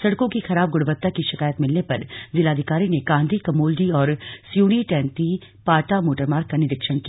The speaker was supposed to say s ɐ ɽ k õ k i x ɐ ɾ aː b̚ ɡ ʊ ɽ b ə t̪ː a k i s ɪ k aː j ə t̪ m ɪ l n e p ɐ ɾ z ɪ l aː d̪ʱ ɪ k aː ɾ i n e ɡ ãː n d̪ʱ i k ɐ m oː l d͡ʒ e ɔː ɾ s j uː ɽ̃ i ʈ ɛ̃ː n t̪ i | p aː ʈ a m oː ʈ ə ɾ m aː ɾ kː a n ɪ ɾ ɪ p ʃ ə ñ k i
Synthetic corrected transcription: s ɐ ɽ k õ k i x ɐ ɾ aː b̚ ɡ ʊ ɽ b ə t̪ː a k i ʃ ɪ k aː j ə t̪ m ɪ l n e p ɐ ɾ z ɪ l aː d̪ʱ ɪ k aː ɾ i n e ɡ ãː n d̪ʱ i k ɐ m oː l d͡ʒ i ɔː ɾ s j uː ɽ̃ i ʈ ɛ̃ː n t̪ i | p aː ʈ a m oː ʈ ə ɾ m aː ɾ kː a n ɪ ɾ ɪ k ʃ ə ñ k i

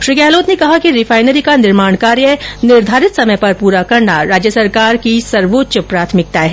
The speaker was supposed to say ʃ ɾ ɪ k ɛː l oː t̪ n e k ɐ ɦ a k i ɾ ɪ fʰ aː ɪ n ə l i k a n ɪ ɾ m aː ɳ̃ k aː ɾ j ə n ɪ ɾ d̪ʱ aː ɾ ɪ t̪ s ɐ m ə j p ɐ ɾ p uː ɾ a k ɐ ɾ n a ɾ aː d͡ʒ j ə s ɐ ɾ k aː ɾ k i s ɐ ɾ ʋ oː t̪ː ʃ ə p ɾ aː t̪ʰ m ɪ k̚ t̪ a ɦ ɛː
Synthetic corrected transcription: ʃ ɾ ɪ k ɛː l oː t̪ n e k ɐ ɦ a k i ɾ ɪ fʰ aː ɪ n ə ɾ i k a n ɪ ɾ m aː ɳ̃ k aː ɾ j ə n ɪ ɾ d̪ʱ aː ɾ ɪ t̪ s ɐ m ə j p ɐ ɾ p uː ɾ a k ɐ ɾ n a ɾ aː d͡ʒ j ə s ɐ ɾ k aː ɾ k i s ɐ ɾ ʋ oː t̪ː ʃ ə p ɾ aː t̪ʰ m ɪ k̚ t̪ a ɦ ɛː

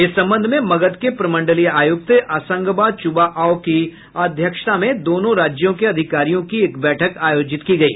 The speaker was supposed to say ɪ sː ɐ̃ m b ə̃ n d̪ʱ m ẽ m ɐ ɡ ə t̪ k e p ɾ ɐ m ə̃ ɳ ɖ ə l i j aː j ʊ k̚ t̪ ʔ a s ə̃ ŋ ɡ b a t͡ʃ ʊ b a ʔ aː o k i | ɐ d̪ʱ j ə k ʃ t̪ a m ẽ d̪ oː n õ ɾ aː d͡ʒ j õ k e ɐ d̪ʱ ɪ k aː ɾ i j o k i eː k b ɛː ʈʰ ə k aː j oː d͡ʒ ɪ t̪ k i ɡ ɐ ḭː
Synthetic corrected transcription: ɪ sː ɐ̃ m b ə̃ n d̪ʱ m ẽ m ɐ ɡ ə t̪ k e p ɾ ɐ m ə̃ ɳ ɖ ə l i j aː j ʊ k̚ t̪ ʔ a s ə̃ ŋ ɡ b a t͡ʃ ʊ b a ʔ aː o k i | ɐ d̪ʱ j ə k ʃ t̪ a m ẽ d̪ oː n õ ɾ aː d͡ʒ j õ k e ɐ d̪ʱ ɪ k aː ɾ i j õ k i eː k b ɛː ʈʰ ə k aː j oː d͡ʒ ɪ t̪ k i ɡ ɐ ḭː

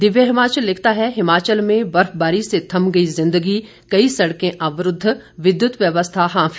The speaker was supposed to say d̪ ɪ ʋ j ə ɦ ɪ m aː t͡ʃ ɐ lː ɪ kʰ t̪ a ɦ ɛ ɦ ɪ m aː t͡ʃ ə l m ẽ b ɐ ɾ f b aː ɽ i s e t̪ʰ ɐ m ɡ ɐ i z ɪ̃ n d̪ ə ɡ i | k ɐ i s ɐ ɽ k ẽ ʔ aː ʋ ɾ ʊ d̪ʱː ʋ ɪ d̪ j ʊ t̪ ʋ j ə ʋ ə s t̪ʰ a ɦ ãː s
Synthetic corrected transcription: d̪ ɪ ʋ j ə ɦ ɪ m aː t͡ʃ ə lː ɪ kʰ t̪ a ɦ ɛ ɦ ɪ m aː t͡ʃ ə l m ẽ b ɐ ɾ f b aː ɾ i s e t̪ʰ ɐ m ɡ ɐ i z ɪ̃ n d̪ ə ɡ i | k ɐ i s ɐ ɽ k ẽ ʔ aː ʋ ɾ ʊ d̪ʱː ʋ ɪ d̪ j ʊ t̪ ʋ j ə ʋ ə s t̪ʰ a ɦ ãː f

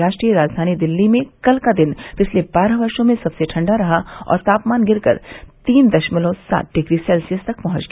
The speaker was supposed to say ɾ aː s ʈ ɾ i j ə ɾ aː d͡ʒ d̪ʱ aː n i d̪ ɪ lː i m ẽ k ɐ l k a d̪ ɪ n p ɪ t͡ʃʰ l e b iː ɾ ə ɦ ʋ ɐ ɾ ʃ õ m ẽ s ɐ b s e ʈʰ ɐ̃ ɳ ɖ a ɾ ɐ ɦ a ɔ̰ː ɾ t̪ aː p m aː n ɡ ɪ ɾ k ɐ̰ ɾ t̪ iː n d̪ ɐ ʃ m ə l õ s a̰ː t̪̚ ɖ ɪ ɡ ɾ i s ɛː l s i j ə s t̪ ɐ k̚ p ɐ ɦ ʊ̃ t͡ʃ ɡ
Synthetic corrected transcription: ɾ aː ʃ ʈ ɾ i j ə ɾ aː d͡ʒ d̪ʱ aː n i d̪ ɪ lː i m ẽ k ɐ l k a d̪ ɪ n p ɪ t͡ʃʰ l e b aː ɾ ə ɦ ʋ ɐ ɾ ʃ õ m ẽ s ɐ b s e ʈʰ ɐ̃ ɳ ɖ a ɾ ɐ ɦ a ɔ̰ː ɾ t̪ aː p m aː n ɡ ɪ ɾ k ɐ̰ ɾ t̪ iː n d̪ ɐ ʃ m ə l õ s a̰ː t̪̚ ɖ ɪ ɡ ɾ i s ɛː l s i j ə s t̪ ɐ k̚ p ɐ ɦ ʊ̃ t͡ʃ ɡ

